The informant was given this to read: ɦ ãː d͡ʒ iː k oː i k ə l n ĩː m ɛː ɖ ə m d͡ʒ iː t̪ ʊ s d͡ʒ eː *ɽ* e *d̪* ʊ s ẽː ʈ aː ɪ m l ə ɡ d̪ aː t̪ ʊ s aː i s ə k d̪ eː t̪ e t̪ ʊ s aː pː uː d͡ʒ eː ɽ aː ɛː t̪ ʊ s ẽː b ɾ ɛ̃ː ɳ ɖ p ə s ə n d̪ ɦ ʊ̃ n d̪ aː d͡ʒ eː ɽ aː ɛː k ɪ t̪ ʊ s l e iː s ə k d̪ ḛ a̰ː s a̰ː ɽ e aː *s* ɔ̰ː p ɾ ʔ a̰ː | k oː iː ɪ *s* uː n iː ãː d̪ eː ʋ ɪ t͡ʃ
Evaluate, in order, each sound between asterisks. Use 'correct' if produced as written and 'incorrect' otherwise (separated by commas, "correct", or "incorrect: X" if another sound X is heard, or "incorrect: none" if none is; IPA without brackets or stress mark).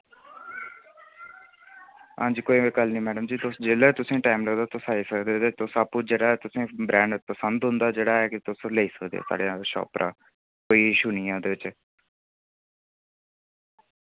incorrect: l, incorrect: t̪, incorrect: ʃ, incorrect: ʃ